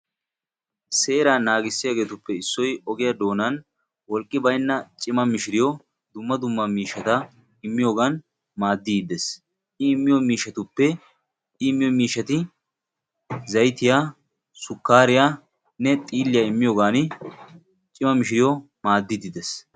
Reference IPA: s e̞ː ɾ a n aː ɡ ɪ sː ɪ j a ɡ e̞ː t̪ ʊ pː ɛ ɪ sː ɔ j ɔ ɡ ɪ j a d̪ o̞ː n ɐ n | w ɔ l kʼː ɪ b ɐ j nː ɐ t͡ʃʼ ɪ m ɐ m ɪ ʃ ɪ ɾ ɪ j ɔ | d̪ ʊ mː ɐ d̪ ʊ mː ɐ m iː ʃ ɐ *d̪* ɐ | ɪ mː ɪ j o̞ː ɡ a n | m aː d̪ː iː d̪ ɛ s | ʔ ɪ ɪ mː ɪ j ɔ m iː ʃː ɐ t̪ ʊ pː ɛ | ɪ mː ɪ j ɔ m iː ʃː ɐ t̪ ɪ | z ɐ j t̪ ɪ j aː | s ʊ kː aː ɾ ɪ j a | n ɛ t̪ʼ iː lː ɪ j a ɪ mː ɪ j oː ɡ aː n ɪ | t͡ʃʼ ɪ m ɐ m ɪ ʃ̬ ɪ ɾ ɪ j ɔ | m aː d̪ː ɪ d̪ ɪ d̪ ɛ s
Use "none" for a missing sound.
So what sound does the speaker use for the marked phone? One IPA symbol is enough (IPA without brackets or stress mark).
t̪